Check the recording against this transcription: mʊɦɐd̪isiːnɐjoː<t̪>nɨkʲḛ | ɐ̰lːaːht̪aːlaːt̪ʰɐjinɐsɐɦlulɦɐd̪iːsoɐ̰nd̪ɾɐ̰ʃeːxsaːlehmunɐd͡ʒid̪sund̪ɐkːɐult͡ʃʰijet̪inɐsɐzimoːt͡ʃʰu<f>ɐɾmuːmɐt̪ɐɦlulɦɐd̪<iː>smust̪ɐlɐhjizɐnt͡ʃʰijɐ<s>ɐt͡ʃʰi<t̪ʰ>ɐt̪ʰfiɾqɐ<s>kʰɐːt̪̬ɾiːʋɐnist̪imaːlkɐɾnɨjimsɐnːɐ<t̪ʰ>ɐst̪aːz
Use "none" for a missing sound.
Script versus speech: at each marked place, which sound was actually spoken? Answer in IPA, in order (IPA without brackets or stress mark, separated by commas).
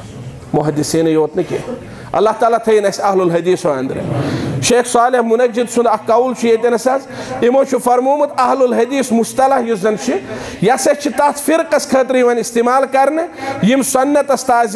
t̪, f, iː, s, t̪, s, t̪